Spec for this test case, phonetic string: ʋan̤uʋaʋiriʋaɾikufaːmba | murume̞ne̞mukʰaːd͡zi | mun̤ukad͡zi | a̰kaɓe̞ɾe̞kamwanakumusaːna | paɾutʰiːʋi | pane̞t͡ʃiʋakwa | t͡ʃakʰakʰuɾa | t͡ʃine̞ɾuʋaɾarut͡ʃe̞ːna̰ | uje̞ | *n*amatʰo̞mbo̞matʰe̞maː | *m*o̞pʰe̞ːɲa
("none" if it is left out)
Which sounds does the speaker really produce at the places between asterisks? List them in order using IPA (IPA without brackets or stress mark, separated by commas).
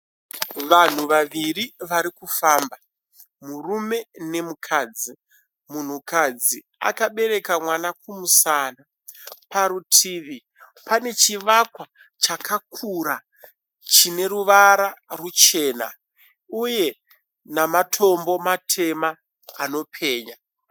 n, n